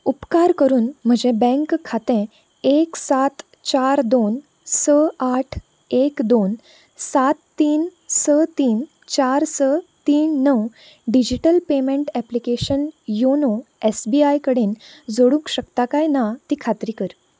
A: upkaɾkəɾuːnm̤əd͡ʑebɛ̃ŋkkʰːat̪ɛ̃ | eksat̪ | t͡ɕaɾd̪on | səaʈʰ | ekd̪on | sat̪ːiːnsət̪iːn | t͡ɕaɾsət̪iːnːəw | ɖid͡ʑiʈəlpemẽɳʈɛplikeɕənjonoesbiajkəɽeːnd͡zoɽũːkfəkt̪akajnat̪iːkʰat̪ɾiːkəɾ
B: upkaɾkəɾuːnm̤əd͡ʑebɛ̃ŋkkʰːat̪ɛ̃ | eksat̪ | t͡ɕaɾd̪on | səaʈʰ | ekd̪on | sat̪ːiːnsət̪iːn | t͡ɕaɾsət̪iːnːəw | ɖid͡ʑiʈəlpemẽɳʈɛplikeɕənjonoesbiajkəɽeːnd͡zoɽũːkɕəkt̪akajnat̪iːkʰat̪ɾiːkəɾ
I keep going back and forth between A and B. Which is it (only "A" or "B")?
B